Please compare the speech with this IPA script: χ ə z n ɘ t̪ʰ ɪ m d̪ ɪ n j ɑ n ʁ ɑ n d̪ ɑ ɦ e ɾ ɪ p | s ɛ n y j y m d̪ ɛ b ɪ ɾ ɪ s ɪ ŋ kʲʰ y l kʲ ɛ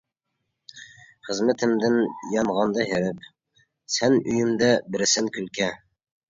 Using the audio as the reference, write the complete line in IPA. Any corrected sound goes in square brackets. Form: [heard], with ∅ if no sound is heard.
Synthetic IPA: χ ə z [m] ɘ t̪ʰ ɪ m d̪ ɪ n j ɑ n ʁ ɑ n d̪ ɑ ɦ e ɾ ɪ p | s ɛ n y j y m d̪ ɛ b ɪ ɾ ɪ s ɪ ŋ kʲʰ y l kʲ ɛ